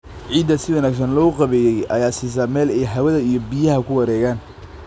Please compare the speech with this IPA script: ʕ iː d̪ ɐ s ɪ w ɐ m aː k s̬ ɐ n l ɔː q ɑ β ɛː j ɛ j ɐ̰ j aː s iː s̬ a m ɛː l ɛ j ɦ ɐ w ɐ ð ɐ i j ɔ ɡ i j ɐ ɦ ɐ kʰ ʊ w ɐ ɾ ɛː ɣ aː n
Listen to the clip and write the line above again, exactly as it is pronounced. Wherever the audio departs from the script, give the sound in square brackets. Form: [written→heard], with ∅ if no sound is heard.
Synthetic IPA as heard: ʕ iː d̪ ɐ s ɪ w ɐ [m→n] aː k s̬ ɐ n l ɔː q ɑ β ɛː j ɛ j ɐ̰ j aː s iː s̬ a m ɛː l ɛ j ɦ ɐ w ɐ ð ɐ i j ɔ [ɡ→b] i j ɐ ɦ ɐ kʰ ʊ w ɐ ɾ ɛː ɣ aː n